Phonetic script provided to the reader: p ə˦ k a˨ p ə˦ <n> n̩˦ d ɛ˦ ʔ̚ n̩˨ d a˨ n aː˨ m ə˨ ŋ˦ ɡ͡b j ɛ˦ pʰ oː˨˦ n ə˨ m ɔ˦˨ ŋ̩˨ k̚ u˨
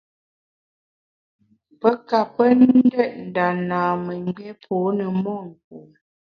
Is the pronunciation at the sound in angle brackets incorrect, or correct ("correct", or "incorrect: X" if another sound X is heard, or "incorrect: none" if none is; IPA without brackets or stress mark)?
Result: correct